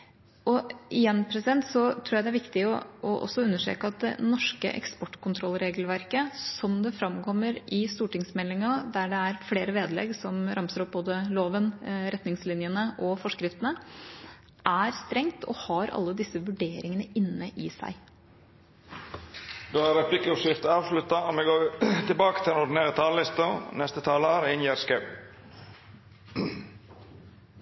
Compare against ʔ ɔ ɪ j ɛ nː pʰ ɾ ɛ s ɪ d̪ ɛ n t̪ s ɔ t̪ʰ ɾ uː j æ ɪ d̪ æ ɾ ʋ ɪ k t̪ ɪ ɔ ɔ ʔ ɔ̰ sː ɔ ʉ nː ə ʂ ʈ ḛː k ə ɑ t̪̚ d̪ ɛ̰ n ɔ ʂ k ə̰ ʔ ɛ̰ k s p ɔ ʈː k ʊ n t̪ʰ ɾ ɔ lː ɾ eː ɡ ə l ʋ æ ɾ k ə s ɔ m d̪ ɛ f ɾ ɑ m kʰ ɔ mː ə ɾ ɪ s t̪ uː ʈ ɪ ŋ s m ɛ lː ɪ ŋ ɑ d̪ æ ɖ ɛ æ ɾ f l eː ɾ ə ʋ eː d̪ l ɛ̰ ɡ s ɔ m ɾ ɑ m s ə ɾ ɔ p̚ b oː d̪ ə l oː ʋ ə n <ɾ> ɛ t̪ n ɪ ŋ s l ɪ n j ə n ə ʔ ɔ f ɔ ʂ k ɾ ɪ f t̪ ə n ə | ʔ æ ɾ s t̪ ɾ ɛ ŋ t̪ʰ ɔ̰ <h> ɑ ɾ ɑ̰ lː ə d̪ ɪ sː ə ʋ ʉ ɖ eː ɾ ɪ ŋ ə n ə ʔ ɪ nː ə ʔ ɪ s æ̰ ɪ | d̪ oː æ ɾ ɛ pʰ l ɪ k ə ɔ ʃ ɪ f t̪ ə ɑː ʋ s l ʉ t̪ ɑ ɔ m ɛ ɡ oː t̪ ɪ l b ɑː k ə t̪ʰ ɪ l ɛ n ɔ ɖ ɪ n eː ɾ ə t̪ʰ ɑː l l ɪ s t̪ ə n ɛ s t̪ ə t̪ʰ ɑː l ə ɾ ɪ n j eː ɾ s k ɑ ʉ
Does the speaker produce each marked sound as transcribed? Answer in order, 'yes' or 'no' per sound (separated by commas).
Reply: yes, yes